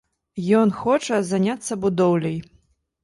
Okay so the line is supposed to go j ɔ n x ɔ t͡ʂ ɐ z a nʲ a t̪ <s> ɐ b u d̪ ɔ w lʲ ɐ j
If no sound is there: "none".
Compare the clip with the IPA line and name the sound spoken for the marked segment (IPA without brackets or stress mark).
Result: sː